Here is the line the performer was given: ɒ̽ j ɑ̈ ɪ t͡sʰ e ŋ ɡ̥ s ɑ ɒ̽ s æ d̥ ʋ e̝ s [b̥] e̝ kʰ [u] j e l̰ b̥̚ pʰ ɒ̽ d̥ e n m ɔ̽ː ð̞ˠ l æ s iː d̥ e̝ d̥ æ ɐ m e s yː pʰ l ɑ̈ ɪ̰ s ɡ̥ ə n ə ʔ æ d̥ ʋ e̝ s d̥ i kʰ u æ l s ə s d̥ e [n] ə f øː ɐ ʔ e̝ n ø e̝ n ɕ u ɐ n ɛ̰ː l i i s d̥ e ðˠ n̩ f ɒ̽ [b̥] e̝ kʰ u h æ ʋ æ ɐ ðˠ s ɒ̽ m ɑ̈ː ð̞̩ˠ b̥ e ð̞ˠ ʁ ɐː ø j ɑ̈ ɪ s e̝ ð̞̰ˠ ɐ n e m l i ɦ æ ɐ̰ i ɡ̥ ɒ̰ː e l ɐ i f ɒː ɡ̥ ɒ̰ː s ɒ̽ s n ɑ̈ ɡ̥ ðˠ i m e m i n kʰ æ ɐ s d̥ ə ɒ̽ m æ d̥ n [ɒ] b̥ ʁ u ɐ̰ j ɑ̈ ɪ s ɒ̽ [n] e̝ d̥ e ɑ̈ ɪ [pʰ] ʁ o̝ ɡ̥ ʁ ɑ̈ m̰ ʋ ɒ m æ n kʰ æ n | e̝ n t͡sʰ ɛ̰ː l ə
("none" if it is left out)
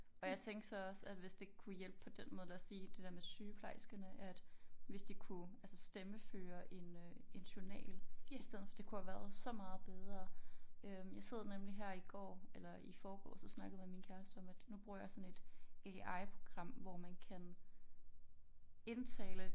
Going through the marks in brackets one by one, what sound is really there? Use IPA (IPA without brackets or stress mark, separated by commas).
d̥, u, m, d̥, u, n, pʰ